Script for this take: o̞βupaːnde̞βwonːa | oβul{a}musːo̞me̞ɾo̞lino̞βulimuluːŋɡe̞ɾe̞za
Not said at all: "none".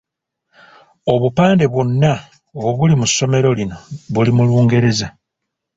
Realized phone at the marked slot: i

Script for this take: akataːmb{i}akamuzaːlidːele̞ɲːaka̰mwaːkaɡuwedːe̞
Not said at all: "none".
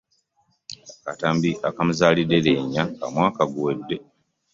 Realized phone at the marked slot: i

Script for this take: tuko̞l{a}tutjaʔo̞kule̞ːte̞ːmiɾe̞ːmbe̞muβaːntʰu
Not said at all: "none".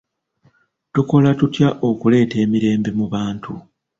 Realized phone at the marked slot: a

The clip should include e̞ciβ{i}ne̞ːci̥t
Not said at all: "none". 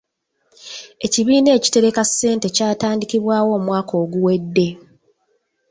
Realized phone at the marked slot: iː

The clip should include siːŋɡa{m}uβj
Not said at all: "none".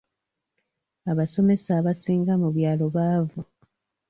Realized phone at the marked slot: m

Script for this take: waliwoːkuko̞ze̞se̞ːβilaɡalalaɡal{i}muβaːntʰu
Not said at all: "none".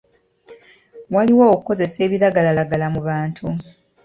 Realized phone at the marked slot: a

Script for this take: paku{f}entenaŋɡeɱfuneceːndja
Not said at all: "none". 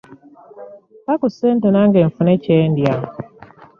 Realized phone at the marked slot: s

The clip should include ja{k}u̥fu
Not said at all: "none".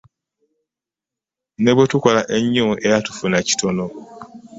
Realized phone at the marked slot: t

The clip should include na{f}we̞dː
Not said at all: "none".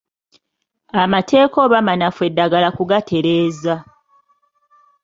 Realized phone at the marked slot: f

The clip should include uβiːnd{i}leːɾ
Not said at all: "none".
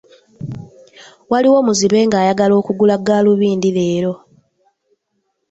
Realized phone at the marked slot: i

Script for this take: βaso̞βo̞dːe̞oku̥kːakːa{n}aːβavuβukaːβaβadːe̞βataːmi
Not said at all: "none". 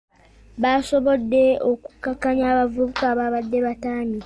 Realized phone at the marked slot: ɲ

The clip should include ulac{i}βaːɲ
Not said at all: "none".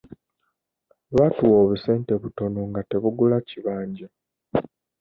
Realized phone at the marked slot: i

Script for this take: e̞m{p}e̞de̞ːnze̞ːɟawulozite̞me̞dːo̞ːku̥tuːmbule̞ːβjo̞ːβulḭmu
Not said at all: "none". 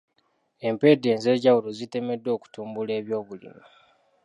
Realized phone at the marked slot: p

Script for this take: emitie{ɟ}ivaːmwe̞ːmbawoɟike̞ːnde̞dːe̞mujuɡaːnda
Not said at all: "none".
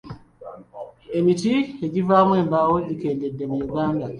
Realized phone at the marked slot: ɟ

